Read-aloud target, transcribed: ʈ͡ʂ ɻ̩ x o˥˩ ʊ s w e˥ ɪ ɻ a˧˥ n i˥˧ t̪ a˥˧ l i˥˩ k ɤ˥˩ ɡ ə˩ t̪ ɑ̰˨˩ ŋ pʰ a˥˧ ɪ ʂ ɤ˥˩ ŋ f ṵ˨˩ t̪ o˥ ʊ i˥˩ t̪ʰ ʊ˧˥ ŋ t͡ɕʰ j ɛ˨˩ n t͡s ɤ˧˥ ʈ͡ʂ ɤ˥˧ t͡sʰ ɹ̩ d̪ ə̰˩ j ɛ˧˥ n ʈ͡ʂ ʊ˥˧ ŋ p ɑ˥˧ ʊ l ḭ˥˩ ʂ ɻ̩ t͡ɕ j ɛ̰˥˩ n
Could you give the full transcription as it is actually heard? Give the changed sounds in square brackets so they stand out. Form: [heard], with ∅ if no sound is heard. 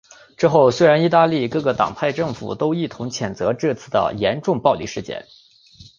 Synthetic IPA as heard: ʈ͡ʂ ɻ̩ x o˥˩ ʊ s w e˥ ɪ ɻ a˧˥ n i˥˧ t̪ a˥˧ l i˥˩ k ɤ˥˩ ɡ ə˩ t̪ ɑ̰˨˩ ŋ pʰ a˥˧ ɪ [ʈ͡ʂ] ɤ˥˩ ŋ f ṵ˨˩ t̪ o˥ ʊ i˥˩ t̪ʰ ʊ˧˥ ŋ t͡ɕʰ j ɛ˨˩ n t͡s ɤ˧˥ ʈ͡ʂ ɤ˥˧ t͡sʰ ɹ̩ d̪ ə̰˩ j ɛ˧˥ n ʈ͡ʂ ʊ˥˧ ŋ p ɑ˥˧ ʊ l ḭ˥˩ ʂ ɻ̩ t͡ɕ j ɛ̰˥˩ n

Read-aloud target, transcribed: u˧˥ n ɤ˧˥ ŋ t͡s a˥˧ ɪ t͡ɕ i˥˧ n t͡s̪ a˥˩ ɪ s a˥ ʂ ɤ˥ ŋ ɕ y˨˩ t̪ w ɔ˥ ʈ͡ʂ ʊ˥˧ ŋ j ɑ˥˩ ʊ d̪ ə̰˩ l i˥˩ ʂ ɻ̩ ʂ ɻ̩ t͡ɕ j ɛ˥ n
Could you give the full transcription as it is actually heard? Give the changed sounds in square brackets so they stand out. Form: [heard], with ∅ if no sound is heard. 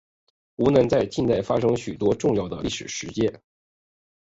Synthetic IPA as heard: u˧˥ n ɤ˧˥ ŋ t͡s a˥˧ ɪ t͡ɕ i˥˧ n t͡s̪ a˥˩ ɪ [f] a˥ ʂ ɤ˥ ŋ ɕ y˨˩ t̪ w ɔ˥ ʈ͡ʂ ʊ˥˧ ŋ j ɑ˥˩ ʊ d̪ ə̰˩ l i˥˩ ʂ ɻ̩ ʂ ɻ̩ t͡ɕ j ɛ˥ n

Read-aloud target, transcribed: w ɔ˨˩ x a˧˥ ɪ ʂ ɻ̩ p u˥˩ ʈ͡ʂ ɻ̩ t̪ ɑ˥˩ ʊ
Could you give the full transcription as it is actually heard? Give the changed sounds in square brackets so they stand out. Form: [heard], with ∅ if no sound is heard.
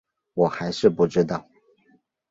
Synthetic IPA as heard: w ɔ˨˩ x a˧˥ ɪ ʂ ɻ̩ p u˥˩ ʈ͡ʂ ɻ̩ t̪ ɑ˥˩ ʊ

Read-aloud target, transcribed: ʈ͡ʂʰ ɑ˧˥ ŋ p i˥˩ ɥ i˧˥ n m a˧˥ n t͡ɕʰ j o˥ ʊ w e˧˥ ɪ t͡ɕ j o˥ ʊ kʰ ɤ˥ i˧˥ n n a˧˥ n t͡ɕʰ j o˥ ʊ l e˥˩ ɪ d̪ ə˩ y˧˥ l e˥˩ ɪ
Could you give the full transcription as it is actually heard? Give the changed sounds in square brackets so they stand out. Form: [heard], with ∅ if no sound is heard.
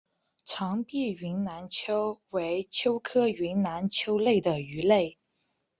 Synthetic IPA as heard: ʈ͡ʂʰ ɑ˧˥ ŋ p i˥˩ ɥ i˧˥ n [n] a˧˥ n t͡ɕʰ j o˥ ʊ w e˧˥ ɪ [t͡ɕʰ] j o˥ ʊ kʰ ɤ˥ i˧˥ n n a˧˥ n t͡ɕʰ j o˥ ʊ l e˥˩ ɪ d̪ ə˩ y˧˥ l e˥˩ ɪ

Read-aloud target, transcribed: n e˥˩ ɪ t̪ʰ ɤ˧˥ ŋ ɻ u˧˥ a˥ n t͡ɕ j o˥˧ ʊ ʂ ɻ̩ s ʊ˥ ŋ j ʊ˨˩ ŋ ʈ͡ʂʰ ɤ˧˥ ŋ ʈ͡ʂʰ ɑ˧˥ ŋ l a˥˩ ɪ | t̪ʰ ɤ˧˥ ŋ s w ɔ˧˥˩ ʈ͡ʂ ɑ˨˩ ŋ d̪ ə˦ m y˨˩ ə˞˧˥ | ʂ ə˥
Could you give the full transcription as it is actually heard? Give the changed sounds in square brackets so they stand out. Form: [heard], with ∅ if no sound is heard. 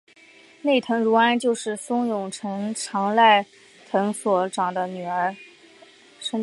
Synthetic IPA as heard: n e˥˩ ɪ t̪ʰ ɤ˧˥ ŋ ɻ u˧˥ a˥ n t͡ɕ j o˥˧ ʊ ʂ ɻ̩ s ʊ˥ ŋ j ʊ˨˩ ŋ ʈ͡ʂʰ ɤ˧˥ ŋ ʈ͡ʂʰ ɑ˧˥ ŋ l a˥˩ ɪ | t̪ʰ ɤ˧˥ ŋ s w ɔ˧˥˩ ʈ͡ʂ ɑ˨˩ ŋ d̪ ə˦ [n] y˨˩ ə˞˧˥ | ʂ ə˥

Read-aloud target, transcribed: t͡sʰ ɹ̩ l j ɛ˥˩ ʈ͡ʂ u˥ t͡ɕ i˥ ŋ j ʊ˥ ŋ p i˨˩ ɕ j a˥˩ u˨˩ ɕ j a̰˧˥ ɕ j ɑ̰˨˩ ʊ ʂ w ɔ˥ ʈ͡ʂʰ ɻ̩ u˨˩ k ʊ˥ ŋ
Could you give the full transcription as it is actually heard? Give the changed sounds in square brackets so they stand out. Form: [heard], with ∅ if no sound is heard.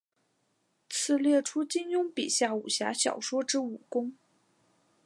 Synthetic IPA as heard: t͡sʰ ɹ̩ l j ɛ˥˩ [ʈ͡ʂʰ] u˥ t͡ɕ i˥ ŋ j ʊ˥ ŋ p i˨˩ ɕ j a˥˩ u˨˩ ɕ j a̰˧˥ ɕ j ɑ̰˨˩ ʊ ʂ w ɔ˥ [ʈ͡ʂ] ɻ̩ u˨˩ k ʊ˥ ŋ

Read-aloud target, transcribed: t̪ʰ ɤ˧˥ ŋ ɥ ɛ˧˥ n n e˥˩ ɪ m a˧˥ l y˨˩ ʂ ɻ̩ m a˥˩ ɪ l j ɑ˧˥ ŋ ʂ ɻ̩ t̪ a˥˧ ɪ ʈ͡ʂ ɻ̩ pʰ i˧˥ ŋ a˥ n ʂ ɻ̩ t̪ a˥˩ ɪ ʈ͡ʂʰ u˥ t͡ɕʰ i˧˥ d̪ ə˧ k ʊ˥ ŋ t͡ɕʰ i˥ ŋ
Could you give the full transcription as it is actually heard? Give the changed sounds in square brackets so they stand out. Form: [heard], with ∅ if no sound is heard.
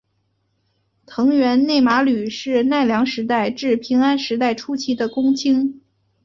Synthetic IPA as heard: t̪ʰ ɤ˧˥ ŋ ɥ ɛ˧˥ n n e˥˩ ɪ m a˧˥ l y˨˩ ʂ ɻ̩ [n] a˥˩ ɪ l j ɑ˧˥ ŋ ʂ ɻ̩ t̪ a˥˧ ɪ ʈ͡ʂ ɻ̩ pʰ i˧˥ ŋ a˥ n ʂ ɻ̩ t̪ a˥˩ ɪ ʈ͡ʂʰ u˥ t͡ɕʰ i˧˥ d̪ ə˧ k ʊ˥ ŋ t͡ɕʰ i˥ ŋ

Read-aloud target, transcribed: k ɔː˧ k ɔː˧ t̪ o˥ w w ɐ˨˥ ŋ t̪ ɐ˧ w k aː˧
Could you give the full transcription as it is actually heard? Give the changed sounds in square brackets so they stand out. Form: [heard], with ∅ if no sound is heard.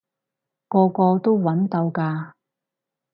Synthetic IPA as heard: k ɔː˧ k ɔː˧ t̪ o˥ w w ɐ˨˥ [n] t̪ ɐ˧ w k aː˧

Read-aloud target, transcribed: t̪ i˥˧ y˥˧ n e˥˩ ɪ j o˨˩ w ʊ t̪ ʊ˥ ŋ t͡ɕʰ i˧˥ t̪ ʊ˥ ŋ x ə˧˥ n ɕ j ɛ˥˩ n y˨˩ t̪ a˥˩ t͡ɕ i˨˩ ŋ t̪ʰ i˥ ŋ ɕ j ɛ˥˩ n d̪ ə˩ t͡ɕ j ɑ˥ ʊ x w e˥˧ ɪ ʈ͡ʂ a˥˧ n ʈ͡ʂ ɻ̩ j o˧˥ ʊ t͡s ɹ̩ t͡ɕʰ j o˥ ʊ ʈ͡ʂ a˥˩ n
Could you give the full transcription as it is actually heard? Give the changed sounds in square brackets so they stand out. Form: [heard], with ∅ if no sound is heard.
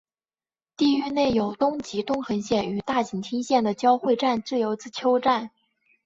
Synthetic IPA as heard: t̪ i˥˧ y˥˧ n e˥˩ ɪ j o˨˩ [∅] ʊ t̪ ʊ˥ ŋ [t͡ɕ] i˧˥ t̪ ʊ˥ ŋ x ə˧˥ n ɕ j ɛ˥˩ n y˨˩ t̪ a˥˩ t͡ɕ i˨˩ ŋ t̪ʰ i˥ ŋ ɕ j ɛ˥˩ n d̪ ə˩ t͡ɕ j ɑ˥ ʊ x w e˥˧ ɪ ʈ͡ʂ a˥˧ n ʈ͡ʂ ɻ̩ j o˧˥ ʊ t͡s ɹ̩ t͡ɕʰ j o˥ ʊ ʈ͡ʂ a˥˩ n

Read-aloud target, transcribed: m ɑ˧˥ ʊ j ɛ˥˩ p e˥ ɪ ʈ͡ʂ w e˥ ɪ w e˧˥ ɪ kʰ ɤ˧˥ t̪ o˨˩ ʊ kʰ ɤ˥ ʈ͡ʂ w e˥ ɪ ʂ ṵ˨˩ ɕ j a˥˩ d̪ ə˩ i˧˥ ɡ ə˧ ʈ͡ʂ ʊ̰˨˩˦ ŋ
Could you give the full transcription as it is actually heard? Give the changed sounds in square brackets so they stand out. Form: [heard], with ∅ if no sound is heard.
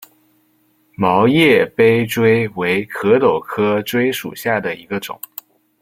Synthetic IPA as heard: m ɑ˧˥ ʊ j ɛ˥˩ p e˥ ɪ ʈ͡ʂ w e˥ ɪ w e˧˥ ɪ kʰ ɤ˧˥ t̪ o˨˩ ʊ kʰ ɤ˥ ʈ͡ʂ w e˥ ɪ ʂ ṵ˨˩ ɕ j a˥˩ d̪ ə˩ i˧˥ ɡ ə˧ ʈ͡ʂ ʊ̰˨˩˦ ŋ

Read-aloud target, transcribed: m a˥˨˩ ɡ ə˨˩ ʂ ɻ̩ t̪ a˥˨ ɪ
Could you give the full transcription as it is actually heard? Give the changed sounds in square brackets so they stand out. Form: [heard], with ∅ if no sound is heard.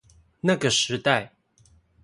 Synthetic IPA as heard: [n] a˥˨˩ ɡ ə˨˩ ʂ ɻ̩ t̪ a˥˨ ɪ

